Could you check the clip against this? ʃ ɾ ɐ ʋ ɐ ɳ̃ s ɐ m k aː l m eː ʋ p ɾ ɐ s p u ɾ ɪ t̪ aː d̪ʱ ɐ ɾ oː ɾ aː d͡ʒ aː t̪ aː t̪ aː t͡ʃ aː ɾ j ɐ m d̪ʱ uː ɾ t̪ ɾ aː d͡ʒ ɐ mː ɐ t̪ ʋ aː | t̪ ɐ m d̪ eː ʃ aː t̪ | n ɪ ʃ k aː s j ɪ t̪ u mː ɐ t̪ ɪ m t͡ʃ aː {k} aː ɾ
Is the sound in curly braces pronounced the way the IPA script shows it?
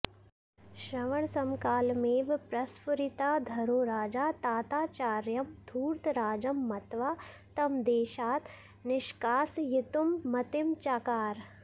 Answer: yes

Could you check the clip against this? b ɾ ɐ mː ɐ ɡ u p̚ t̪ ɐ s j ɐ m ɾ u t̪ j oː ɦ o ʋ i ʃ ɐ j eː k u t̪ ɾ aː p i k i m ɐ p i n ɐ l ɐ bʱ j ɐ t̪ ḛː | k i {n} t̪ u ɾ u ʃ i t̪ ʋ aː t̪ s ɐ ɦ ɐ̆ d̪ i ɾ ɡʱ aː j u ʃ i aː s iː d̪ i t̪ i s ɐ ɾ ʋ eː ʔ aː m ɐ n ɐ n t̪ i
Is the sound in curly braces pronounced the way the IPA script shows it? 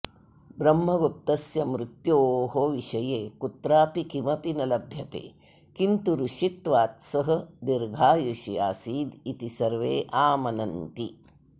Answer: yes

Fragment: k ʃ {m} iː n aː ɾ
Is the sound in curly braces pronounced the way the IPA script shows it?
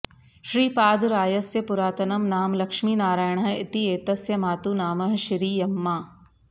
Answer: yes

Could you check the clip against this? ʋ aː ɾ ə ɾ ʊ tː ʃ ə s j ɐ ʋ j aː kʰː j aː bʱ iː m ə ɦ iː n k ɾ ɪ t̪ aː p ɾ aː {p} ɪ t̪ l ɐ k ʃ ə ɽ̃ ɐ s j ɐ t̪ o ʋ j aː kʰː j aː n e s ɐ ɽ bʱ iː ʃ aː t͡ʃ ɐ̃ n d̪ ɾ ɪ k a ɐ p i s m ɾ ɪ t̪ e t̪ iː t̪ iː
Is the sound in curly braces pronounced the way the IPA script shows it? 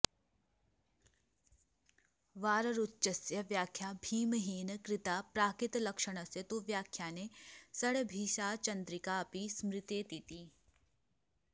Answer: no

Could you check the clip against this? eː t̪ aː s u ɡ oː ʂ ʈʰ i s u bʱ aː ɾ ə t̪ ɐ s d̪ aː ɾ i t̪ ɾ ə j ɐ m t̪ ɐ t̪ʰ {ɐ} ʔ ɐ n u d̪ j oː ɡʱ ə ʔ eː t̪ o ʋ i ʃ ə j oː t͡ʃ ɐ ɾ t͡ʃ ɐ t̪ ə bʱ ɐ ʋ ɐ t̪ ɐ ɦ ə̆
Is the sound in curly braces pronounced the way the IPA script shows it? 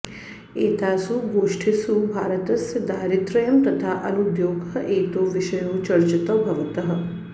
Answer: no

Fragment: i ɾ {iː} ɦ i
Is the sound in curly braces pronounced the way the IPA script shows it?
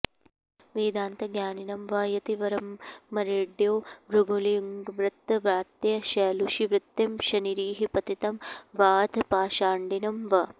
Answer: yes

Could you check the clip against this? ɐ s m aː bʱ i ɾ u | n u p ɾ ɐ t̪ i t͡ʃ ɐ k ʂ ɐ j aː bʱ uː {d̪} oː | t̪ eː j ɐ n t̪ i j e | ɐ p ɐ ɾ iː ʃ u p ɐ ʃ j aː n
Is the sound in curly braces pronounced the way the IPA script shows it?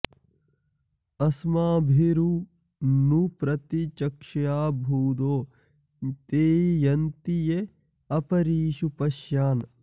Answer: yes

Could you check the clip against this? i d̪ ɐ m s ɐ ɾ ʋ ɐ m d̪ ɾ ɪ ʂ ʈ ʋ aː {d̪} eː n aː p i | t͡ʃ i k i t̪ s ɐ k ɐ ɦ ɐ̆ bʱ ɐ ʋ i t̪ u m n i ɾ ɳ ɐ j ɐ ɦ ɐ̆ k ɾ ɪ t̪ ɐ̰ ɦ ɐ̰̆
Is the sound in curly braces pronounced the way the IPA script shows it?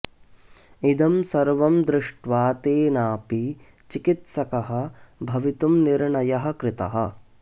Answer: no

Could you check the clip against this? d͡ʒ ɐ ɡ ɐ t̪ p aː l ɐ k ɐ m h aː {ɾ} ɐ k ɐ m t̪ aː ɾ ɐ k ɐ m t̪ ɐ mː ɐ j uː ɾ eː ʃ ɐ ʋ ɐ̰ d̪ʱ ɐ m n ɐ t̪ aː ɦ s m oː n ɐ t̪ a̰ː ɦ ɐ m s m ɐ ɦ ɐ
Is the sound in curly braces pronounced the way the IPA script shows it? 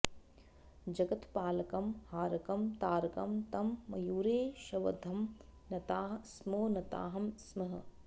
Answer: yes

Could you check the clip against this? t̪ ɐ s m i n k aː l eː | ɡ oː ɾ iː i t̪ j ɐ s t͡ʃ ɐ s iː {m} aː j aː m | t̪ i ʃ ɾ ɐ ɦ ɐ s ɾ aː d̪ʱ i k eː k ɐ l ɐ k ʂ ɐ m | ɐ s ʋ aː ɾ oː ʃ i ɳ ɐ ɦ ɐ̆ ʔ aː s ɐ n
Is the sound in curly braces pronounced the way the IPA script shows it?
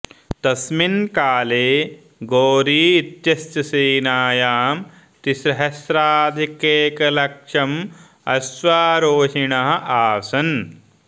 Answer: no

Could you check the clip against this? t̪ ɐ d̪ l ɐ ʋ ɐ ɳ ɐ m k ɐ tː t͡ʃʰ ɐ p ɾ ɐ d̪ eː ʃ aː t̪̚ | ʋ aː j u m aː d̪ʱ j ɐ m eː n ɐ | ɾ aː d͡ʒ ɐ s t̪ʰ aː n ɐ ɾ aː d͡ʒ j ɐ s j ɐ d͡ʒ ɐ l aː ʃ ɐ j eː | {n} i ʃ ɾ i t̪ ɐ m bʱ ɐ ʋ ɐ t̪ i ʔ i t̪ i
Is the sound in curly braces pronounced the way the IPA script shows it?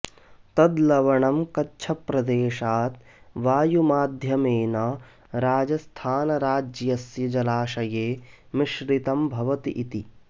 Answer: no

